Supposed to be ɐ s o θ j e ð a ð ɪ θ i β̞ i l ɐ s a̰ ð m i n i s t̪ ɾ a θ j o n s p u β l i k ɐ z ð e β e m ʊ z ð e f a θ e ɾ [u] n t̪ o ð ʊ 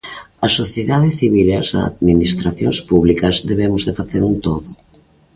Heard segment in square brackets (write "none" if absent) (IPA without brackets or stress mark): u